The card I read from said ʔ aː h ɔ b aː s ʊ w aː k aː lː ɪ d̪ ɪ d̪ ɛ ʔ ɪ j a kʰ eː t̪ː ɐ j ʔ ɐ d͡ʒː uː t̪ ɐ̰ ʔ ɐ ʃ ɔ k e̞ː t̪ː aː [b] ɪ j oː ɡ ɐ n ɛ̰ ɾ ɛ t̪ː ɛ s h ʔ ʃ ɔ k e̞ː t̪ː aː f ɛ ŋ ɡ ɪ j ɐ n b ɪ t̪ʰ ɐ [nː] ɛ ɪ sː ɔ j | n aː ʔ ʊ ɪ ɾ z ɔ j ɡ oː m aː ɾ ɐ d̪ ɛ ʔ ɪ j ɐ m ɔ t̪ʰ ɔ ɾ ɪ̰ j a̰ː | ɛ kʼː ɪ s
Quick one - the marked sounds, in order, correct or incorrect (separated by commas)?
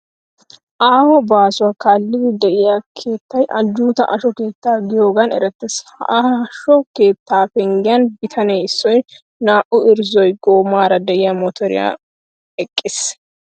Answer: incorrect, incorrect